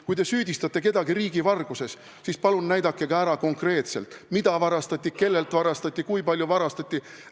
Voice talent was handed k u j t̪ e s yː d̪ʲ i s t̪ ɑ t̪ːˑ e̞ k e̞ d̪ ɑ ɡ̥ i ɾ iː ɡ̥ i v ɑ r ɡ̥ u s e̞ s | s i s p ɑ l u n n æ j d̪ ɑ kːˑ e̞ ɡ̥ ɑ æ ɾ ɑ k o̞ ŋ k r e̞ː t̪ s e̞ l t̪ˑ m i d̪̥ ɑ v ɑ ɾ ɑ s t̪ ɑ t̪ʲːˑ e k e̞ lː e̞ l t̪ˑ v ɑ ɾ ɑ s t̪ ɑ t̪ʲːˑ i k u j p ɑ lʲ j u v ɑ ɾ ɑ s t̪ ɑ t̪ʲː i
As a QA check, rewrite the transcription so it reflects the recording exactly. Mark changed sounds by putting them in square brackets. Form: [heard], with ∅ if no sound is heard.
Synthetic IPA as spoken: k u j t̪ e s yː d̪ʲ i s t̪ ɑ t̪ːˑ e̞ k e̞ d̪ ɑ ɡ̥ i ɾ iː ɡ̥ i v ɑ r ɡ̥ u s e̞ s | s i s p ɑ l u n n æ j d̪ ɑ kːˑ e̞ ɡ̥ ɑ æ ɾ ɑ k o̞ ŋ k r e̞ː t̪ s e̞ l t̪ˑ m i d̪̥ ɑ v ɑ ɾ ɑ s t̪ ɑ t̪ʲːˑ [i] k e̞ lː e̞ l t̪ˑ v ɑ ɾ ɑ s t̪ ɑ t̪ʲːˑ i k u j p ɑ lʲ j u v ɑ ɾ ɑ s t̪ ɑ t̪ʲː i